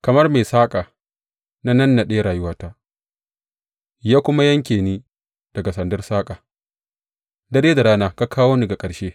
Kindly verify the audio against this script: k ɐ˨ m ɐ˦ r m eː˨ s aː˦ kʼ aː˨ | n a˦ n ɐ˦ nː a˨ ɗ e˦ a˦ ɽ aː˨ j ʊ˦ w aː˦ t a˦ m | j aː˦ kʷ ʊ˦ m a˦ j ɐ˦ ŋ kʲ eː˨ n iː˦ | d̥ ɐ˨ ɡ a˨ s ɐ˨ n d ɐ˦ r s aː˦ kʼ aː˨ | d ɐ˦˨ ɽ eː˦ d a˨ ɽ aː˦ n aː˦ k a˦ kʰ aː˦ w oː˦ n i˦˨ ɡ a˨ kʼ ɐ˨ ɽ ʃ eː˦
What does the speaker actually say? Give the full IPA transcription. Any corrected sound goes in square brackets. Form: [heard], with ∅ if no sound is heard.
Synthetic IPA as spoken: k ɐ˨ m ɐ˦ r m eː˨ s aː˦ kʼ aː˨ | n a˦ n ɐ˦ nː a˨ ɗ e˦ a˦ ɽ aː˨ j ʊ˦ w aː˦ t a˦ [∅] | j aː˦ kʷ ʊ˦ m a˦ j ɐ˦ ŋ kʲ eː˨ n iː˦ | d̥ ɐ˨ ɡ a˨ s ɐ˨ n d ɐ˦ r s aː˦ kʼ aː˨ | d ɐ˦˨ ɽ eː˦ d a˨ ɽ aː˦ n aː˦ k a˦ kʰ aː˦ w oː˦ n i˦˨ ɡ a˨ kʼ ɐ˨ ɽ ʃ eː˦